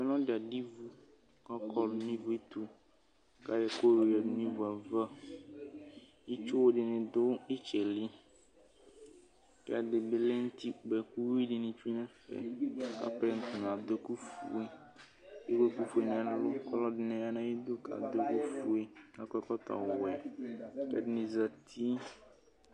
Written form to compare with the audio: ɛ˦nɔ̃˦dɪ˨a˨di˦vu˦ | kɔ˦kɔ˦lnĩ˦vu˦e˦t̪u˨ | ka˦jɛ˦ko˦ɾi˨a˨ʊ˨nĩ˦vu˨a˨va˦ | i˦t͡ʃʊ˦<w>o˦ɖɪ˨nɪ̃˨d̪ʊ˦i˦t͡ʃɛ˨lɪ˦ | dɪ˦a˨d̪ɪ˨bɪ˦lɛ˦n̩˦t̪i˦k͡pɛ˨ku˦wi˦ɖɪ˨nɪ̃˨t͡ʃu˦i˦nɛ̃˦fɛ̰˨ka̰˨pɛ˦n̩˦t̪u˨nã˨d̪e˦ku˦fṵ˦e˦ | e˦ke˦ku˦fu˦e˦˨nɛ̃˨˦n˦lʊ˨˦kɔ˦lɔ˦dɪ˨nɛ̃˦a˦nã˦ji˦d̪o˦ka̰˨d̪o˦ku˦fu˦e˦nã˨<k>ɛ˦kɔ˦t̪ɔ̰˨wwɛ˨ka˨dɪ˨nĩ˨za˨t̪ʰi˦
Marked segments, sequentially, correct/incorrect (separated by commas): correct, correct